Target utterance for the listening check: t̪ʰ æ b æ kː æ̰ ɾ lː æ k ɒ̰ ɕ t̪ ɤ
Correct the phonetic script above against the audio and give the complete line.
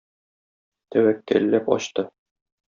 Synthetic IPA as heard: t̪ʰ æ w æ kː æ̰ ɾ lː æ p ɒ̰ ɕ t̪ ɤ